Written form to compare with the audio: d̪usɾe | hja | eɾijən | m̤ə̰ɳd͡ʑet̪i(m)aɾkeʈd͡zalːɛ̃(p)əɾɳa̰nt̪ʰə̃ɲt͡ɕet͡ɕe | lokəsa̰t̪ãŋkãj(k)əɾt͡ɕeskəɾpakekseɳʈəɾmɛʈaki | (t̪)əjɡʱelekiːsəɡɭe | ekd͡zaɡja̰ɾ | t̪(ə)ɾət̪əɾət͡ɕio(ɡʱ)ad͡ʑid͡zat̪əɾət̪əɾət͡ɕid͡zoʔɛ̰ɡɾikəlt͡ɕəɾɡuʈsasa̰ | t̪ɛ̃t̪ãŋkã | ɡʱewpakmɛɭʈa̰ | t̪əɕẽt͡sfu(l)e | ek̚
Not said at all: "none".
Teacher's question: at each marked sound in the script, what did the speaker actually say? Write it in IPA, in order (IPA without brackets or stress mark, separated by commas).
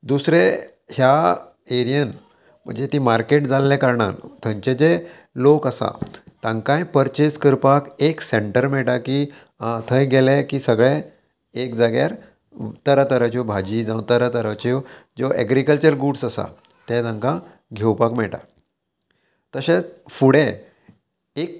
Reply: m, k, p, t̪ʰ, ə, bʱ, ɽ